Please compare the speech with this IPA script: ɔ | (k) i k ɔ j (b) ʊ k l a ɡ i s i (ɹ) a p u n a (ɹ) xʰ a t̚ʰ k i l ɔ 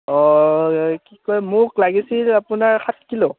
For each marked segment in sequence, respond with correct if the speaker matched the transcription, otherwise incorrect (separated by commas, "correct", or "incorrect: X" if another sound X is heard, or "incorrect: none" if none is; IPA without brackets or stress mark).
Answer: correct, incorrect: m, incorrect: l, correct